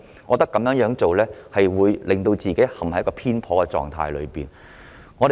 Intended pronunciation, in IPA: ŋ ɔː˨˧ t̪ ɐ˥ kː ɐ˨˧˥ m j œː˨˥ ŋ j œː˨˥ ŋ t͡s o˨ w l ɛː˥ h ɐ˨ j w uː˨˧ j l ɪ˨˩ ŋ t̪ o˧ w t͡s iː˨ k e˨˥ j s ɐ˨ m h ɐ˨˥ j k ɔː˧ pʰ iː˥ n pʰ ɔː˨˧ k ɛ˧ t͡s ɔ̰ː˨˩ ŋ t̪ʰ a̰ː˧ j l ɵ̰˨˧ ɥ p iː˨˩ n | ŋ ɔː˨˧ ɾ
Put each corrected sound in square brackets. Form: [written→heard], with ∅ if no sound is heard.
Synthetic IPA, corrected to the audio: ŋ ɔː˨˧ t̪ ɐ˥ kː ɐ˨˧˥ m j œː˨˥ ŋ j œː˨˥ ŋ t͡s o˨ w l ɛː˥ h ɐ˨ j w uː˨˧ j l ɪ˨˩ ŋ t̪ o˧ w t͡s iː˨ k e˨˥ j [s→h] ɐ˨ m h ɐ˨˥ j k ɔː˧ pʰ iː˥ n pʰ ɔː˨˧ k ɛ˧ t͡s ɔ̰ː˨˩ ŋ t̪ʰ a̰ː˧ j l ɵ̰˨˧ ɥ p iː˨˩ n | ŋ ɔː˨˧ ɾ